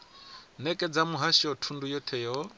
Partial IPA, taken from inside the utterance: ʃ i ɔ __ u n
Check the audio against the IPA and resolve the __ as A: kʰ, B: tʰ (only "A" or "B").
B